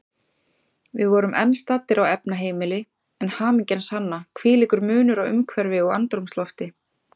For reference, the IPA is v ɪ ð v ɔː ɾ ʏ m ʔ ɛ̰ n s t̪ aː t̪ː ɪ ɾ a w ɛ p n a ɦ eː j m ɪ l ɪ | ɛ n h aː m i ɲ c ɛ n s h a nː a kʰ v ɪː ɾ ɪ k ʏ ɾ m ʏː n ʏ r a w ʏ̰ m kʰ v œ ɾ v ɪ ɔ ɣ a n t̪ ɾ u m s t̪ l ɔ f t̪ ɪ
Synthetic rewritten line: v ɪ ð v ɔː ɾ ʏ m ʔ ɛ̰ n s t̪ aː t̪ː ɪ ɾ a w ɛ p n a ɦ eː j m ɪ l ɪ | ɛ n h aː m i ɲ c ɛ n s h a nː a kʰ v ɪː l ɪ k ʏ ɾ m ʏː n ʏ ɾ a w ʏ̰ m kʰ v ɛ ɾ v ɪ ɔ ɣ a n t̪ ɾ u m s t̪ l ɔ f t̪ ɪ